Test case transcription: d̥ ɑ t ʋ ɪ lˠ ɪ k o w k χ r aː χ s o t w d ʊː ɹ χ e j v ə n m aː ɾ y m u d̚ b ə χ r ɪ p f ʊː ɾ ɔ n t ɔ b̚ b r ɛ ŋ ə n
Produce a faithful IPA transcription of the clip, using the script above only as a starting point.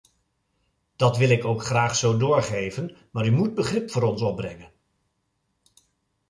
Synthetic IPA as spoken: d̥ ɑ t ʋ ɪ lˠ ɪ k o w k χ r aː χ s o w d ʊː ɹ χ e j v ə n m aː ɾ y m u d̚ b ə χ r ɪ p f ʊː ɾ ɔ n s ɔ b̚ b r ɛ ŋ ə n